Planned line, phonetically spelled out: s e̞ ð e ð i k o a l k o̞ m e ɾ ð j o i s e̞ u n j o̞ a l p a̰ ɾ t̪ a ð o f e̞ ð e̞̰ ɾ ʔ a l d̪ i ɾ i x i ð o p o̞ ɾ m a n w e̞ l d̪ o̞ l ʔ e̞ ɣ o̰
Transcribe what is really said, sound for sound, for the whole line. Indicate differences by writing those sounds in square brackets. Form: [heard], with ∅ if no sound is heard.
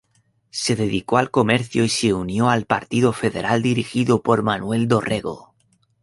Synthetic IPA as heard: s e̞ ð e ð i k o a l k o̞ m e ɾ [θ] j o i s e̞ u n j o̞ a l p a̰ ɾ t̪ [i] ð o f e̞ ð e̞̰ ɾ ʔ a l d̪ i ɾ i x i ð o p o̞ ɾ m a n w e̞ l d̪ o̞ [r] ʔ e̞ ɣ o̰